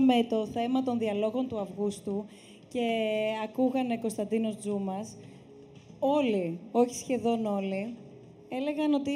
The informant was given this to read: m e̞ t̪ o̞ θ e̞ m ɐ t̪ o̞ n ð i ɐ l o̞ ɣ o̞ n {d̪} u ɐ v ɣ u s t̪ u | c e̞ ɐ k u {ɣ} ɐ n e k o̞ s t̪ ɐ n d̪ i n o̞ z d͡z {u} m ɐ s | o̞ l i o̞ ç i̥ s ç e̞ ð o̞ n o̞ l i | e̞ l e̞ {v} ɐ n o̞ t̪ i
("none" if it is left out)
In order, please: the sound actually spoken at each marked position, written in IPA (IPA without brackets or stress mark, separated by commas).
t̪, ɣ, u, ɣ